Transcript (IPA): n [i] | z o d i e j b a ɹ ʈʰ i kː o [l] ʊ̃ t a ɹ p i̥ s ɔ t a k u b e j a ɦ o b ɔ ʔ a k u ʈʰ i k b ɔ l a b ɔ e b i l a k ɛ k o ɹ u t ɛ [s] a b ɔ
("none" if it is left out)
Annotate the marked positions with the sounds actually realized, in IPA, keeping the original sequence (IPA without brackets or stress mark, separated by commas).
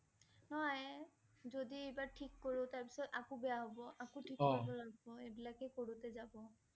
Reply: j, ɹ, z